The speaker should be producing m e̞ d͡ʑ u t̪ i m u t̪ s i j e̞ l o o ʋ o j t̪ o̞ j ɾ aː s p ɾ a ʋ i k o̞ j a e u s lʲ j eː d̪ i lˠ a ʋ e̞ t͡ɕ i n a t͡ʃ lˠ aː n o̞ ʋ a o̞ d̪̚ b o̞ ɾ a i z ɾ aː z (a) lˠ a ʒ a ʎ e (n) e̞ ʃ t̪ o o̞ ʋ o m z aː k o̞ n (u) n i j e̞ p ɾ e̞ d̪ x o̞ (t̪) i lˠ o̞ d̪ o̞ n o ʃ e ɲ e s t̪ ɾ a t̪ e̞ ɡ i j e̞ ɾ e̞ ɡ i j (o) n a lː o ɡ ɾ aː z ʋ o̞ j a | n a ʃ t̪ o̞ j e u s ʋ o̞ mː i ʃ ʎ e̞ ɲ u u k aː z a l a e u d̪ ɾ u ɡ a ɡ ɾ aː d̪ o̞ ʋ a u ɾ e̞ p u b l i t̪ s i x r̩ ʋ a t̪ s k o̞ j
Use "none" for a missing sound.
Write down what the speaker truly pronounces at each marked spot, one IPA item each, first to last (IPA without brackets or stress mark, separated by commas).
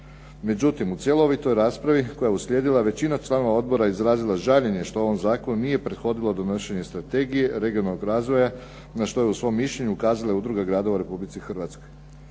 i, ɲ, u, d̪, o